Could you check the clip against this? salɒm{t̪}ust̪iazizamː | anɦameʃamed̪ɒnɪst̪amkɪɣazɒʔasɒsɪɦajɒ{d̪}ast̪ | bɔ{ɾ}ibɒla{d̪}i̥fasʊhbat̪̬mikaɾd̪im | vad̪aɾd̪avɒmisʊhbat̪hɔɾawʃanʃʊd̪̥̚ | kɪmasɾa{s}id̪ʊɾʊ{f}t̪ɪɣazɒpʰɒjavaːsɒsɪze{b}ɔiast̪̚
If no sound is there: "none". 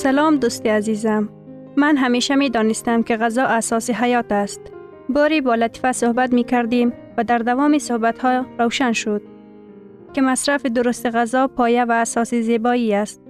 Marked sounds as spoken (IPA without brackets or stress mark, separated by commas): d̪, t̪, ɾ, t̪, f, s, b